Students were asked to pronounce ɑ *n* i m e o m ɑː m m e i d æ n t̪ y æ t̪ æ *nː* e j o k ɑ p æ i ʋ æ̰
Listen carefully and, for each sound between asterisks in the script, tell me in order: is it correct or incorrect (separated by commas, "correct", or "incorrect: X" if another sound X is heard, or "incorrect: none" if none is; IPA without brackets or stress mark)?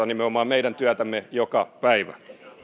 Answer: correct, incorrect: mː